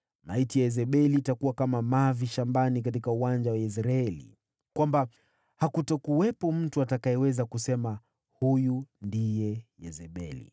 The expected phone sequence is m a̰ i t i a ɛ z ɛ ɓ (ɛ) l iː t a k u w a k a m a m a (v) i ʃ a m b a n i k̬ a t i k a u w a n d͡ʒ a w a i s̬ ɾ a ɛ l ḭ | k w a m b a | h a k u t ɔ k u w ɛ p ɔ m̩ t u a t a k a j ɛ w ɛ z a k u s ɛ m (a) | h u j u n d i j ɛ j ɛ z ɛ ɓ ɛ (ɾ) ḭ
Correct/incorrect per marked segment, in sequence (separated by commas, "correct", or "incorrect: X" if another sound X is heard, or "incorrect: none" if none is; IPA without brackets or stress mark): correct, correct, correct, incorrect: l